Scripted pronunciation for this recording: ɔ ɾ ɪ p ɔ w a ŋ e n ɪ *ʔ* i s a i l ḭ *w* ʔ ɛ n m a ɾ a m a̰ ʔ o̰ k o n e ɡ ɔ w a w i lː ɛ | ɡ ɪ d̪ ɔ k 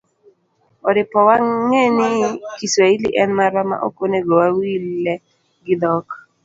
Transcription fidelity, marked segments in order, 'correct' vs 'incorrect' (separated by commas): incorrect, incorrect